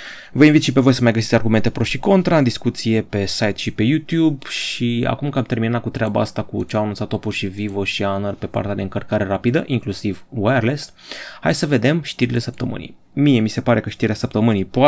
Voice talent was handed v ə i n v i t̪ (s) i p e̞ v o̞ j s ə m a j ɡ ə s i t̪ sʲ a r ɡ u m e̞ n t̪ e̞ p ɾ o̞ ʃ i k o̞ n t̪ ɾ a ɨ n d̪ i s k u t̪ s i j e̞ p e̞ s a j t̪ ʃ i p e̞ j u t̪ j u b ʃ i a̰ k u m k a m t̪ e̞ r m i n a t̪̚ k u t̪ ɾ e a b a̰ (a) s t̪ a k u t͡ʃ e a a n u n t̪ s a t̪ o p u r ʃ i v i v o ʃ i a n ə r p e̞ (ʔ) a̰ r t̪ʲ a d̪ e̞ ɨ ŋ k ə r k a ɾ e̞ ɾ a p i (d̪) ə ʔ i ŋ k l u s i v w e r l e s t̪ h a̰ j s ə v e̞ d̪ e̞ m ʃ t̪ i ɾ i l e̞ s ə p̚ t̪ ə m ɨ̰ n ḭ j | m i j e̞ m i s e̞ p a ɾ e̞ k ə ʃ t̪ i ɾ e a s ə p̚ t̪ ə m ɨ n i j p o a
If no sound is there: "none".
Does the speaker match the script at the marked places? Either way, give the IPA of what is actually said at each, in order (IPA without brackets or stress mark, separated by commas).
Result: ʃ, a, p, d̪